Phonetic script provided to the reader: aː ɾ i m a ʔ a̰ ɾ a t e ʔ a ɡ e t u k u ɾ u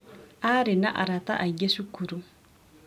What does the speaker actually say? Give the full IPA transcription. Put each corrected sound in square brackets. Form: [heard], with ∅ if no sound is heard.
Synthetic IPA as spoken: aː ɾ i [n] a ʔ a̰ ɾ a t [a] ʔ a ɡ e [s] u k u ɾ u